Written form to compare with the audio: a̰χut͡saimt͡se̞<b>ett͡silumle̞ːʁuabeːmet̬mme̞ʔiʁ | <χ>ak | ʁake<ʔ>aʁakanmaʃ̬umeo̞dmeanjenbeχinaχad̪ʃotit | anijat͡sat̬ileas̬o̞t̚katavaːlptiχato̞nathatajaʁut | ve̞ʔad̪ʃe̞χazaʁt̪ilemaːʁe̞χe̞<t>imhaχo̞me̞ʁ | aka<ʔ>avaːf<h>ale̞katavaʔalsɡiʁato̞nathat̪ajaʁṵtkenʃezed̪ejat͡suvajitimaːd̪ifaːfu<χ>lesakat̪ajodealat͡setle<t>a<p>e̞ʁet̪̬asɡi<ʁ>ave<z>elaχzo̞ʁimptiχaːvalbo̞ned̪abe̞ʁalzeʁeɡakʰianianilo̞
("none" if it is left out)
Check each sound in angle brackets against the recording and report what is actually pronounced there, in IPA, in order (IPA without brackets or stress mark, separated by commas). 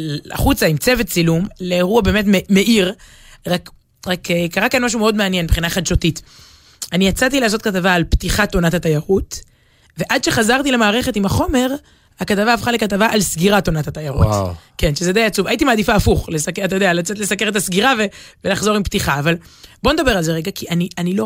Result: v, ʁ, k, t, t, χ, χ, s, k, ʁ, v